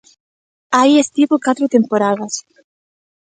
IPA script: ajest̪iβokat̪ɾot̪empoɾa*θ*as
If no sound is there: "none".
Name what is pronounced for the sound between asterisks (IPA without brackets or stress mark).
ð